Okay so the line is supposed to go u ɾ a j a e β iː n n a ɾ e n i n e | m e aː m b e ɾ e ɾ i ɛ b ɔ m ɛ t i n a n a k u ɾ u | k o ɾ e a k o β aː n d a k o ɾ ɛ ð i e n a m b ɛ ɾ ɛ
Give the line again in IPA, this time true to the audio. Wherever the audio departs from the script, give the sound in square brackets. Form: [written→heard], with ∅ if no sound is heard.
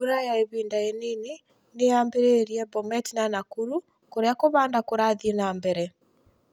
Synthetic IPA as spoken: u ɾ a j a e β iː n [n→d] a [ɾ→∅] e n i n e | [m→n] e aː m b e ɾ e ɾ i ɛ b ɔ m ɛ t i n a n a k u ɾ u | k o ɾ e a k o β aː n d a k o ɾ [ɛ→a] ð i e n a m b ɛ ɾ ɛ